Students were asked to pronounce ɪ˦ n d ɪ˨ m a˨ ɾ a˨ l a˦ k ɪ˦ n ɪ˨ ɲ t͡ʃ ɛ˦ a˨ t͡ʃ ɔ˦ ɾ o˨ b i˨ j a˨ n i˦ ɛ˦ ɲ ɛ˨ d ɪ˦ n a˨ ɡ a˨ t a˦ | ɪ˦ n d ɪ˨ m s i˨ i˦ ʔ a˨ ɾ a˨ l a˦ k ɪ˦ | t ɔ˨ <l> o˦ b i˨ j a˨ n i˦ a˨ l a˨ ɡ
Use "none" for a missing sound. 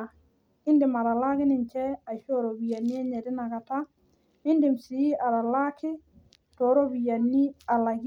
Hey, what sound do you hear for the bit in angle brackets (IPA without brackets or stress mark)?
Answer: ɾ